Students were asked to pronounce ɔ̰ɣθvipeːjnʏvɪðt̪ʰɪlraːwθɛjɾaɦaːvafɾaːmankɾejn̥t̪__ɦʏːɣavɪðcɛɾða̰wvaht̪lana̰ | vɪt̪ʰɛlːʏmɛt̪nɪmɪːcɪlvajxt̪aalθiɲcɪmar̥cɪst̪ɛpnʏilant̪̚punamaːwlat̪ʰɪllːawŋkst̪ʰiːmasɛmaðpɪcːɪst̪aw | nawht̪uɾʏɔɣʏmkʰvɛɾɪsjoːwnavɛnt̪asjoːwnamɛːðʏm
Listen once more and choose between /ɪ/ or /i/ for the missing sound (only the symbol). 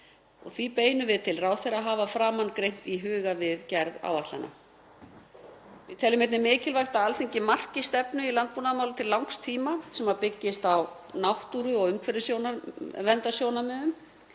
i